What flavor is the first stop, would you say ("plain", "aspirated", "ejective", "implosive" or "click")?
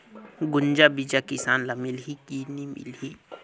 plain